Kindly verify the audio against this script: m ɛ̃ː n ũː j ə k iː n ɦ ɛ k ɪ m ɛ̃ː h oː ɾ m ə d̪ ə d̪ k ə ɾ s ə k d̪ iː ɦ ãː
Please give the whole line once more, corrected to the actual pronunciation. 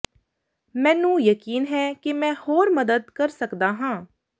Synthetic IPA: m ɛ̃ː n ũː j ə k iː n ɦ ɛː k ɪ m ɛ̃ː h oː ɾ m ə d̪ ə d̪ k ə ɾ s ə k d̪ aː ɦ ãː